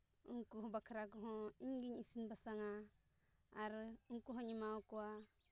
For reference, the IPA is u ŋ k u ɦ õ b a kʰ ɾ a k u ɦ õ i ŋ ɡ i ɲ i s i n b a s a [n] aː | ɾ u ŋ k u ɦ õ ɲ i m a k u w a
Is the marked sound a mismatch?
yes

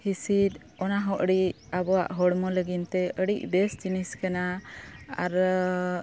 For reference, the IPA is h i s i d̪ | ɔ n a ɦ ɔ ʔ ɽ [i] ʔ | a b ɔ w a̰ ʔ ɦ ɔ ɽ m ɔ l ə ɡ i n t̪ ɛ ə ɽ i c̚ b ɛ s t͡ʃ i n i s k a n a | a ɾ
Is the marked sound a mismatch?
no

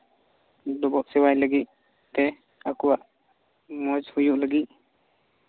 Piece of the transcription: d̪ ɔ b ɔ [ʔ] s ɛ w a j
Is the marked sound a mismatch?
no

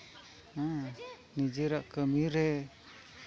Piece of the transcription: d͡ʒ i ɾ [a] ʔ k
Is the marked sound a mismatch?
no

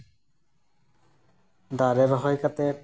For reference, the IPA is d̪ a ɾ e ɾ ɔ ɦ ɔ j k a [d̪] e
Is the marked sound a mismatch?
yes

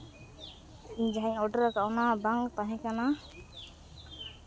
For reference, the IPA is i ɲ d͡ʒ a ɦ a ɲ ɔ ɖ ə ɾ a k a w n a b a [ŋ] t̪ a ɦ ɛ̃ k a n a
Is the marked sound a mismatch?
no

